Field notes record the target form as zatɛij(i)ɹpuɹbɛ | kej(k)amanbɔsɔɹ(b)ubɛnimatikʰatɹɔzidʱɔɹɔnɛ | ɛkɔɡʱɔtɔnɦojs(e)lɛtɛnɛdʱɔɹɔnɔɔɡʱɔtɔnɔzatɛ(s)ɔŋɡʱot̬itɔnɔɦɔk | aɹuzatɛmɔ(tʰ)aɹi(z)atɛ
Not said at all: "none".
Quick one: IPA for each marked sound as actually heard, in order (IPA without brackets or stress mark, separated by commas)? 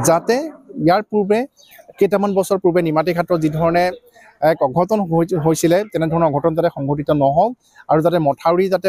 a, t, p, i, x, tʰ, z